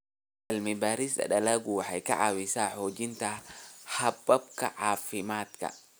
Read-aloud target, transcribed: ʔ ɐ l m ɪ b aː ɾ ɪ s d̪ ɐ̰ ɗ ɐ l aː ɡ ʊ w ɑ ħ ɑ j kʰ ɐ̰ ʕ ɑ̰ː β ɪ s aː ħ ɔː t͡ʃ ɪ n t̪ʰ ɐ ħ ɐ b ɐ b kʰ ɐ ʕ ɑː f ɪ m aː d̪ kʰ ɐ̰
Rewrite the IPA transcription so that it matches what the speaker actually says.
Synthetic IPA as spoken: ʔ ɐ l m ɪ b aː ɾ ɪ s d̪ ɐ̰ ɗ ɐ l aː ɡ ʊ w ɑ ħ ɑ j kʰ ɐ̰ ʕ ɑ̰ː w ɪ s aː ħ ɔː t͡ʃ ɪ n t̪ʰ ɐ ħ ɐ b ɐ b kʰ ɐ ʕ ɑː f ɪ m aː d̪ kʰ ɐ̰

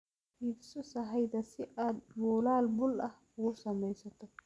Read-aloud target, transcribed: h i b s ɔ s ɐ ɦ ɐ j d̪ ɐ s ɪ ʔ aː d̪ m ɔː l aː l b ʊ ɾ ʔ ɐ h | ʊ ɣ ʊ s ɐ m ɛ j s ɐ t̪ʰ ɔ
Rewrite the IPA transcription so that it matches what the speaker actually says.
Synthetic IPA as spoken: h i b s ɔ s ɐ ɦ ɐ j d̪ ɐ s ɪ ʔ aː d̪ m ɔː l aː l b ʊ l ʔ ɐ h | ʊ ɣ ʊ s ɐ m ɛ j s ɐ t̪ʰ ɔ

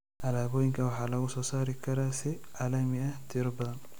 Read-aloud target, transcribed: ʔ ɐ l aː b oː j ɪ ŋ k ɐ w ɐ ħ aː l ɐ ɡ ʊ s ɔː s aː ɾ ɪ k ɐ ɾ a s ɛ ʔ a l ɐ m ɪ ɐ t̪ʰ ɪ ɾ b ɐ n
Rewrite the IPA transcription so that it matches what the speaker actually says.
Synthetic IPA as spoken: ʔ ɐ l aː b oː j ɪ ŋ k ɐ w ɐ ħ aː l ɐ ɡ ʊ s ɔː s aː ɾ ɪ k ɐ ɾ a s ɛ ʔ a l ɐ m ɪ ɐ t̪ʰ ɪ ɾ b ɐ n

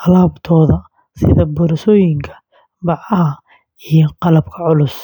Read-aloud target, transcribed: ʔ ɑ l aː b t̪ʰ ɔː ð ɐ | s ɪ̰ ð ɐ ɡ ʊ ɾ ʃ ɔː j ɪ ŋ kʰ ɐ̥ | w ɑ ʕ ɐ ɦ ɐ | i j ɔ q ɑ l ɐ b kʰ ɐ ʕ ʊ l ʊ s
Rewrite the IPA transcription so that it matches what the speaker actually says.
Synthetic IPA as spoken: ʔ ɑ l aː b t̪ʰ ɔː ð ɐ | s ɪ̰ ð ɐ b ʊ ɾ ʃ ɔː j ɪ ŋ kʰ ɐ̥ | b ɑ ʕ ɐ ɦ ɐ | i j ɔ q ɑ l ɐ b kʰ ɐ ʕ ʊ l ʊ s

